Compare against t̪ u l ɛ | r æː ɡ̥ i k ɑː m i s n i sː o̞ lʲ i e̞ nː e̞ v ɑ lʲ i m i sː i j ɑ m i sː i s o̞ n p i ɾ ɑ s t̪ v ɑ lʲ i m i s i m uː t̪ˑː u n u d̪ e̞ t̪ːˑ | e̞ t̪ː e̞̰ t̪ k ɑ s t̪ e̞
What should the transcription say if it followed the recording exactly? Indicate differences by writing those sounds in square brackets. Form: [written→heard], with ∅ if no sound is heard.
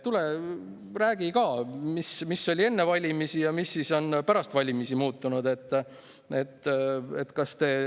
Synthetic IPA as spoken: t̪ u l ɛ | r æː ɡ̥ i k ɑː m i s [n→m] i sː o̞ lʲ i e̞ nː e̞ v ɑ lʲ i m i [sː→s] i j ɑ m i sː i s o̞ n p [i→æ] ɾ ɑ s t̪ v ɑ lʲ i m i s i m uː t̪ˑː u n u d̪ e̞ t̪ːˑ | e̞ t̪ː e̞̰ t̪ k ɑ s t̪ e̞